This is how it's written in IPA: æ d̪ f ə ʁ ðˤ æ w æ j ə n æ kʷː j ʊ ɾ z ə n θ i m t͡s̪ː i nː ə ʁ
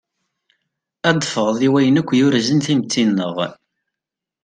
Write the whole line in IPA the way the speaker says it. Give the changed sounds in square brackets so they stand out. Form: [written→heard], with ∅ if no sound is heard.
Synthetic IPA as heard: æ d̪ f ə ʁ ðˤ [æ→i] w æ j ə n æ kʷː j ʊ ɾ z ə n θ i m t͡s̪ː i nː ə ʁ